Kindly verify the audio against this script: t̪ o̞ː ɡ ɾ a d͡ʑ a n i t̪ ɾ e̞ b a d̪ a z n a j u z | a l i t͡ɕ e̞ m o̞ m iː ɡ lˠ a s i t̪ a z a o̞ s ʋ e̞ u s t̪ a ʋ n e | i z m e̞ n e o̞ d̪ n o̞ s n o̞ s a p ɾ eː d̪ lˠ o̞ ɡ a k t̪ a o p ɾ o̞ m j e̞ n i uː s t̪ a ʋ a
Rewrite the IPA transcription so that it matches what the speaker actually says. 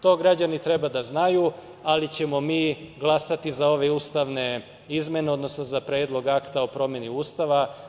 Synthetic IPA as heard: t̪ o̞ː ɡ ɾ a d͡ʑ a n i t̪ ɾ e̞ b a d̪ a z n a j u | a l i t͡ɕ e̞ m o̞ m iː ɡ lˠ a s a t̪ i z a o̞ ʋ e̞ u s t̪ a ʋ n e | i z m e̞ n e o̞ d̪ n o̞ s n o̞ z a p ɾ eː d̪ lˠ o̞ ɡ a k t̪ a o p ɾ o̞ m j e̞ n i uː s t̪ a ʋ a